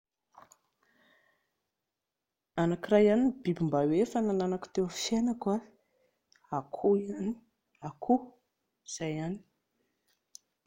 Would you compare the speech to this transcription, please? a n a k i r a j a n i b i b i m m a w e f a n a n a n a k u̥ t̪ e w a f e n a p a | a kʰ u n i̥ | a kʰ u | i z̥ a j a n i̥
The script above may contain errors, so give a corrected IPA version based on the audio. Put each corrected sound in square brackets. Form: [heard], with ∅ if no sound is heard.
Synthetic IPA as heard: a n a k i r a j a n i b i b i m [b] a w e f a n a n a n a k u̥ t̪ e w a f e n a [k] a | a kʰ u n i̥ | a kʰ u | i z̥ a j a n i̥